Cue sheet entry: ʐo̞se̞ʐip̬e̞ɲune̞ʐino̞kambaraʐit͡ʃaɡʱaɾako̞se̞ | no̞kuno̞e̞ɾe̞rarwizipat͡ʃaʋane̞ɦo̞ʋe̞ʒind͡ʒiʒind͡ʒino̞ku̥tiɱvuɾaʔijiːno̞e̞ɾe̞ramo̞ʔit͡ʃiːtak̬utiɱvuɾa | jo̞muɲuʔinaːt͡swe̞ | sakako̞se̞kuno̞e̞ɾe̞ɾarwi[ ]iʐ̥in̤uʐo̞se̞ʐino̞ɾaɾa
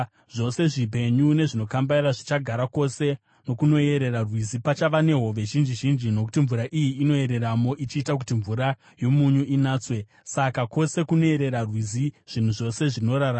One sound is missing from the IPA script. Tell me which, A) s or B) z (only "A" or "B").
B